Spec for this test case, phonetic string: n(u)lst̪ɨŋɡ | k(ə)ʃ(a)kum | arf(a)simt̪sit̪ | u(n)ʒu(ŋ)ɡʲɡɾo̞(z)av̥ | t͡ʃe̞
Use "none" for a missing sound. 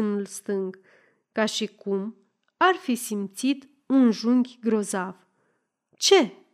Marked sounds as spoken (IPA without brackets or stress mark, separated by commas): u, a, i, i, n, ŋ, z